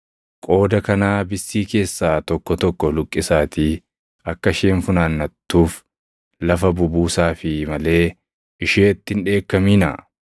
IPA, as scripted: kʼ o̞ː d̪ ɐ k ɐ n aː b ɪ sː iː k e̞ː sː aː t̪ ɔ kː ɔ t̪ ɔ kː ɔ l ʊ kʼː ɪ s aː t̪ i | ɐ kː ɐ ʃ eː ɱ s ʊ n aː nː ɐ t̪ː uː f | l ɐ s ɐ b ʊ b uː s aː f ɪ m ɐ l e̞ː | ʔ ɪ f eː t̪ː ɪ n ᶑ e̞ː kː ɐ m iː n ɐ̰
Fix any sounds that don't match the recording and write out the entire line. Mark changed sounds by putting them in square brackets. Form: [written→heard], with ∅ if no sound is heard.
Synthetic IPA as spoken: kʼ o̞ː d̪ ɐ k ɐ n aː b ɪ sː iː k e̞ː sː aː t̪ ɔ kː ɔ t̪ ɔ kː ɔ l ʊ kʼː ɪ s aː t̪ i | ɐ kː ɐ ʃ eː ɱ [s→f] ʊ n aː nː ɐ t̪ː uː f | l ɐ [s→f] ɐ b ʊ b uː s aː f ɪ m ɐ l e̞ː | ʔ ɪ [f→ʃ] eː t̪ː ɪ n ᶑ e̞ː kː ɐ m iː n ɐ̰